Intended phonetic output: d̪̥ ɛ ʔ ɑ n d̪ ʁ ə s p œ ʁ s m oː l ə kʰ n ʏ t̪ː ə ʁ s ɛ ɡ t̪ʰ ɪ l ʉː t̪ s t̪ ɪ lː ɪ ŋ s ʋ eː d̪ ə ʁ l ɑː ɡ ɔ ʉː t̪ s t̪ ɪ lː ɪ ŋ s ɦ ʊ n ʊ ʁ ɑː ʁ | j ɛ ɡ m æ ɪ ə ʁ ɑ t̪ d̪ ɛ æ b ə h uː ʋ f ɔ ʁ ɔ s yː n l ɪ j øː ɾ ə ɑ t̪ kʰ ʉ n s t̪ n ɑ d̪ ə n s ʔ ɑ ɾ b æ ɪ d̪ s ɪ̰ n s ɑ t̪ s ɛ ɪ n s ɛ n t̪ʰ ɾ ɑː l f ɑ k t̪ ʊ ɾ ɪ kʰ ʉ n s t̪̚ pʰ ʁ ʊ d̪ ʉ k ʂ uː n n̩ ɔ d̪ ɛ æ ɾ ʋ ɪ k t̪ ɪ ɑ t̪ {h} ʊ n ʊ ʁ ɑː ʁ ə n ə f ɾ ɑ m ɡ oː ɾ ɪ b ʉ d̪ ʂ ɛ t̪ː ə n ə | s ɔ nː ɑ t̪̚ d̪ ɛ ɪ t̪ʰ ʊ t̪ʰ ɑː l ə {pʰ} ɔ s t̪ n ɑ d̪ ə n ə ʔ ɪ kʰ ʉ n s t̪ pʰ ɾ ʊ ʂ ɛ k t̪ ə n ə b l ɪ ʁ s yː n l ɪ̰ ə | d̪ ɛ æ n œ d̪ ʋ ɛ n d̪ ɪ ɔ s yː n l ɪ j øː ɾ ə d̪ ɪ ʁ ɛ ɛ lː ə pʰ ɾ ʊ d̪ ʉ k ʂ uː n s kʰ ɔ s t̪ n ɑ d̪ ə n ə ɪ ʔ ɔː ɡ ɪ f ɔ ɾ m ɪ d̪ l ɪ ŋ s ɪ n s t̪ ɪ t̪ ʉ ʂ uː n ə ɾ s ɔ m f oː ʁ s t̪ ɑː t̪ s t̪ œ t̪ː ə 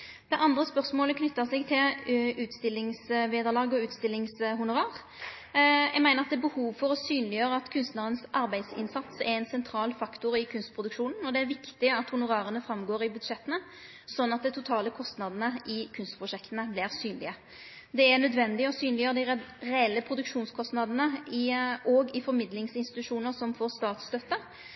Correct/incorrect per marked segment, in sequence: correct, incorrect: kʰ

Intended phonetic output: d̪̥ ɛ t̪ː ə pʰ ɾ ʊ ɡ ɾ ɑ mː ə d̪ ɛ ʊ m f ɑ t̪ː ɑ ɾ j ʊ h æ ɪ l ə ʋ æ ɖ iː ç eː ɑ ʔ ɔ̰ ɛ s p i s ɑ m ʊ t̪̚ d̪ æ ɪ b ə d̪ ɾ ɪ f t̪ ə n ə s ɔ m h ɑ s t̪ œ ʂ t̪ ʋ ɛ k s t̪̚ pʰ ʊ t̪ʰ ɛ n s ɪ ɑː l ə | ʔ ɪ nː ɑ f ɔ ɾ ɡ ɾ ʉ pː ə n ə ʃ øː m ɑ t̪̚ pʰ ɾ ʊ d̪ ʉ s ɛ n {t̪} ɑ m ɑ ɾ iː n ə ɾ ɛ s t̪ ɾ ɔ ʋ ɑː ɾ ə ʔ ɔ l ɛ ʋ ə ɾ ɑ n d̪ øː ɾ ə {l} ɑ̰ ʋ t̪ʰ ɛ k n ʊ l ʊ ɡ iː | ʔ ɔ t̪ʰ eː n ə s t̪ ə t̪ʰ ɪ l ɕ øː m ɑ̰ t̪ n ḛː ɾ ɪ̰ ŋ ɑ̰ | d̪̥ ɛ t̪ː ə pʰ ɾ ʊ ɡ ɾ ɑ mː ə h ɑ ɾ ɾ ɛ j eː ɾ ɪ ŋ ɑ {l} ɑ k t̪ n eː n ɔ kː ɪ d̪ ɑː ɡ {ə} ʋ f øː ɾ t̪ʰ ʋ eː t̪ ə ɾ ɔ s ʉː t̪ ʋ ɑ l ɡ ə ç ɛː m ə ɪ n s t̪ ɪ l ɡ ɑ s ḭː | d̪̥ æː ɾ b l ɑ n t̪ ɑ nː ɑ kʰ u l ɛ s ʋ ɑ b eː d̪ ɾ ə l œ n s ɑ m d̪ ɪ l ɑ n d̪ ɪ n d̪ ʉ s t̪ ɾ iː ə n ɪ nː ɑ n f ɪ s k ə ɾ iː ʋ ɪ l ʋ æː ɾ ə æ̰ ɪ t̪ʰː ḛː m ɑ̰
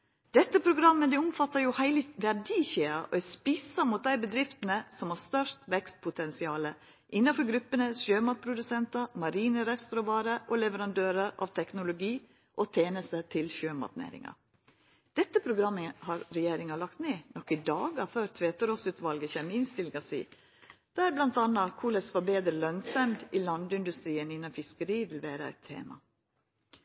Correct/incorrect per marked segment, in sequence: correct, incorrect: ɾ, correct, incorrect: ɑ

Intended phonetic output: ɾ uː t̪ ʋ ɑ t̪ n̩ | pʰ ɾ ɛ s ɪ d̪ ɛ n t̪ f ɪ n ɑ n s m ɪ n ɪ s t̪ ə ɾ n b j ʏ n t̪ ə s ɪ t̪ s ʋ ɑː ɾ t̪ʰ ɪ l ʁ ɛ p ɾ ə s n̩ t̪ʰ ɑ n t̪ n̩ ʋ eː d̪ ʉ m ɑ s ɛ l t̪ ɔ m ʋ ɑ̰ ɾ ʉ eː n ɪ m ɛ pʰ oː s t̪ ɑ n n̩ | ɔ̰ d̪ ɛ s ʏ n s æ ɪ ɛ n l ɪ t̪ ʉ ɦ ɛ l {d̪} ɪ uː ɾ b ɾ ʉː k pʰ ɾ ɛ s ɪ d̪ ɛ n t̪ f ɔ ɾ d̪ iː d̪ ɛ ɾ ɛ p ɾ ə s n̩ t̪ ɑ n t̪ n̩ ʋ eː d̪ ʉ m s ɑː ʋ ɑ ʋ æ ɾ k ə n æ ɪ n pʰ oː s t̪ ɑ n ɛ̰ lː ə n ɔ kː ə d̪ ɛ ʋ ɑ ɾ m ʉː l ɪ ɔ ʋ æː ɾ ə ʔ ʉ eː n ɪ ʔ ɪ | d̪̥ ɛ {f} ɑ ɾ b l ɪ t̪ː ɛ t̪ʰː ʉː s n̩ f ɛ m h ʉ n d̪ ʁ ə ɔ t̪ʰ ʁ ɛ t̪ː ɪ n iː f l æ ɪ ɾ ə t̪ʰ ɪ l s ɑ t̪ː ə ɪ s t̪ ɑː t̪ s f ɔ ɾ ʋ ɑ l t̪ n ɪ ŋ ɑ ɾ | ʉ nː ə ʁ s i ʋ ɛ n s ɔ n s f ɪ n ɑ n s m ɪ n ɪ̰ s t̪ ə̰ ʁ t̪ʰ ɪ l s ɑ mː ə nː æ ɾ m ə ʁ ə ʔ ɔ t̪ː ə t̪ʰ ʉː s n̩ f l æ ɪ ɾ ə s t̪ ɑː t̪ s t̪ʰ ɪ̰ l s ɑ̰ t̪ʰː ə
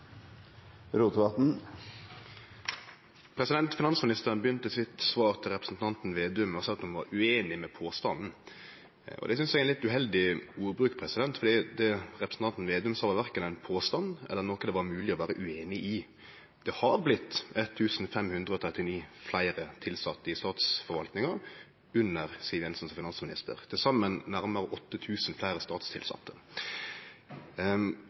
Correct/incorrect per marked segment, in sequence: correct, incorrect: h

